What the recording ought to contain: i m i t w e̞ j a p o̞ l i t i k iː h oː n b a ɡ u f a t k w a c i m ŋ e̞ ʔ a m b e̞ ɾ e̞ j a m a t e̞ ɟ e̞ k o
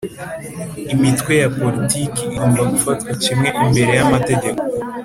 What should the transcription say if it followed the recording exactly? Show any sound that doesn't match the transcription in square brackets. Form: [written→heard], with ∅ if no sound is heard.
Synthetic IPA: i m i t w e̞ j a p o̞ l i t i k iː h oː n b a ɡ u f a t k w a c i m ŋ e̞ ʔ [a→i] m b e̞ ɾ e̞ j a m a t e̞ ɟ e̞ k o